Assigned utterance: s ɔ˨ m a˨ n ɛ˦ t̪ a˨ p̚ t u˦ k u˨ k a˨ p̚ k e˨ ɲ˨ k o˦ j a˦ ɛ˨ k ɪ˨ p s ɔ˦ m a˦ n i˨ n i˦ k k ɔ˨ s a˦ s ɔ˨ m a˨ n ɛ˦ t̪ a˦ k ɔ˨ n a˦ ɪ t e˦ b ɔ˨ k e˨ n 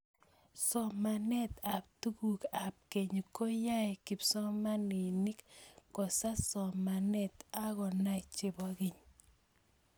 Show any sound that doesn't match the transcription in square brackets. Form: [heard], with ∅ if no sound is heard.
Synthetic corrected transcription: s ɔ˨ m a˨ n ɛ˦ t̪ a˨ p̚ t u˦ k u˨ k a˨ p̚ k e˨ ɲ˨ k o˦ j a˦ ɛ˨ k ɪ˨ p s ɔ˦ m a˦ n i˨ n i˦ k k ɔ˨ s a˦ s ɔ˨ m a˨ n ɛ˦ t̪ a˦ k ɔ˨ n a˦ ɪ [t͡ʃ] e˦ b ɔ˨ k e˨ [ɲ]